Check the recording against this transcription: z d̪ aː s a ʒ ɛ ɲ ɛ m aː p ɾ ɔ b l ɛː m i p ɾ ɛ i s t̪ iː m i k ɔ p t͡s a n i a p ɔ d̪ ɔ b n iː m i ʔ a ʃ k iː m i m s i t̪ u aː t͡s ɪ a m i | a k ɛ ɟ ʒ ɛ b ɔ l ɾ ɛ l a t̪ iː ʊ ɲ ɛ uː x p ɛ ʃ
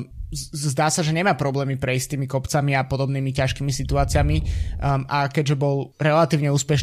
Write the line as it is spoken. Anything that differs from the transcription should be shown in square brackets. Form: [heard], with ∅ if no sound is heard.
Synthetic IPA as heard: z d̪ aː s a ʒ ɛ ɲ ɛ m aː p ɾ ɔ b l ɛː m i p ɾ ɛ i s t̪ iː m i k ɔ p t͡s a [m] i a p ɔ d̪ ɔ b n iː m i [c] a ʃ k iː m i [∅] s i t̪ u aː t͡s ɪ a m i | a k ɛ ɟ ʒ ɛ b ɔ l ɾ ɛ l a t̪ iː ʊ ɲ ɛ uː [s] p ɛ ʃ